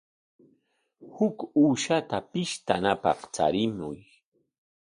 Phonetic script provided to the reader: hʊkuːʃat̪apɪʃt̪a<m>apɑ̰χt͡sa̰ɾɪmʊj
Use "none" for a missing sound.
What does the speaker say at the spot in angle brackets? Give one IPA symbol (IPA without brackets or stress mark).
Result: n